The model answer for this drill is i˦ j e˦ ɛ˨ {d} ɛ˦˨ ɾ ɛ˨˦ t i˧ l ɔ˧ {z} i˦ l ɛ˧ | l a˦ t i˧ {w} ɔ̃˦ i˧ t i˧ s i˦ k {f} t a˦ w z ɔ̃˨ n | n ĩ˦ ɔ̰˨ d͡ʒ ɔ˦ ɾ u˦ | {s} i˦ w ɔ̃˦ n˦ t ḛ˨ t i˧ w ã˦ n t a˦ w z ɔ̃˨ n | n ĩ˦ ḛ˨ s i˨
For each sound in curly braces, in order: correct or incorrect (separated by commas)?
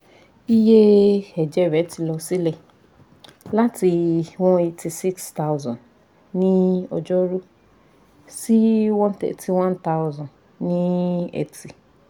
incorrect, incorrect, correct, incorrect, correct